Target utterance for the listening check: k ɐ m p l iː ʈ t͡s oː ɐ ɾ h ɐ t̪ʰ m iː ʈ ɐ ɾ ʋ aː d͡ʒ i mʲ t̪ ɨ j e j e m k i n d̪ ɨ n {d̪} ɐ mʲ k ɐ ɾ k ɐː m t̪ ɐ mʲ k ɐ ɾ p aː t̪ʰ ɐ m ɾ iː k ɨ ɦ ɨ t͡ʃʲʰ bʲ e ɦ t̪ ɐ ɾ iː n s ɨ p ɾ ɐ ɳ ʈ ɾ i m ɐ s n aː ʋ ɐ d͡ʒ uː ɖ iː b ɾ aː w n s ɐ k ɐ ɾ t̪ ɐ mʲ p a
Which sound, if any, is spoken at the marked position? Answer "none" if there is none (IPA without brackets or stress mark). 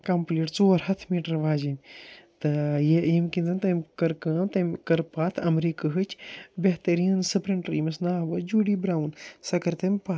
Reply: t̪